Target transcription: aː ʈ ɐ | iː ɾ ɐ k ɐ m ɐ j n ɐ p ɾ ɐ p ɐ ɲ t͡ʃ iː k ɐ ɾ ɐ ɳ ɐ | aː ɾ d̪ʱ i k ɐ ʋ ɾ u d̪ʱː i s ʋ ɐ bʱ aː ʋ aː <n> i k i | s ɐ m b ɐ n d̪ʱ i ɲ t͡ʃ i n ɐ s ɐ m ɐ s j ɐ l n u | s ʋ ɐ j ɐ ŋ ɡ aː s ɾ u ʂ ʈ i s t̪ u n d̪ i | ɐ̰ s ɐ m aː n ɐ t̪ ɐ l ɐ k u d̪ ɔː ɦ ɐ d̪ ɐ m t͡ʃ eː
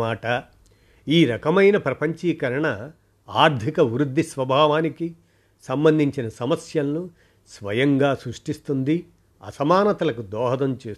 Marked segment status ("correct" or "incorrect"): correct